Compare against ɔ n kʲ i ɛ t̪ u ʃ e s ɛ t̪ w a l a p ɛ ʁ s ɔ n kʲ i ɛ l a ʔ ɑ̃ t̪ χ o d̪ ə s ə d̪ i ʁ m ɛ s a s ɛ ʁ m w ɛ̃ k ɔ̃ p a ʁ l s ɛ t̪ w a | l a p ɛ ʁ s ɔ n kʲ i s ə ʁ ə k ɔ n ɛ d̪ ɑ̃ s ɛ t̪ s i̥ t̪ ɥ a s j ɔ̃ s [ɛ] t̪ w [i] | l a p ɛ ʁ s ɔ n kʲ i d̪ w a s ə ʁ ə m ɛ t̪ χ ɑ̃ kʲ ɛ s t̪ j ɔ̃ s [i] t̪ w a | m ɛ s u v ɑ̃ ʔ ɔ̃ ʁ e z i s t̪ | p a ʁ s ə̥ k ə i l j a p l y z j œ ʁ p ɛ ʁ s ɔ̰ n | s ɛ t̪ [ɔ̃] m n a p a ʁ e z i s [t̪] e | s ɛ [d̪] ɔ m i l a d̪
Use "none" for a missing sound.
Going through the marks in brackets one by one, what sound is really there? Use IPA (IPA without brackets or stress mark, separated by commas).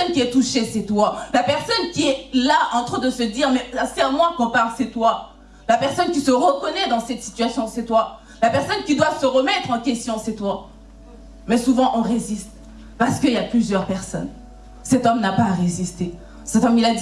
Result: ɛ, a, ɛ, ɔ, t̪, t̪